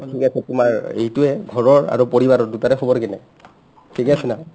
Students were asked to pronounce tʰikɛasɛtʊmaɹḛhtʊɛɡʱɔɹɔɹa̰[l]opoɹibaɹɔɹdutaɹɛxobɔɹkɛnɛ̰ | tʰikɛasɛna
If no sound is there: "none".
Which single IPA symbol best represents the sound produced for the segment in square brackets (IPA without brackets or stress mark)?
ɹ